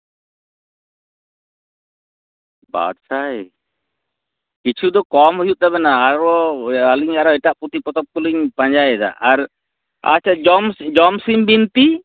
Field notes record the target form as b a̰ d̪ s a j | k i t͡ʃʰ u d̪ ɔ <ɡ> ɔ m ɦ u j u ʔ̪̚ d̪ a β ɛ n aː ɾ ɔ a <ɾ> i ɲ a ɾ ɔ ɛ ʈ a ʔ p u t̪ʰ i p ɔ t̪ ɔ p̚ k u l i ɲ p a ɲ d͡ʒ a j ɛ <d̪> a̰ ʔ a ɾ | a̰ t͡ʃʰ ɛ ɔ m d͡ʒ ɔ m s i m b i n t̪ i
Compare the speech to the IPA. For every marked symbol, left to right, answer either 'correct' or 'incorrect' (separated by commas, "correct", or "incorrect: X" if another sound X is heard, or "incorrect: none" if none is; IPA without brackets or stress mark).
incorrect: k, incorrect: l, correct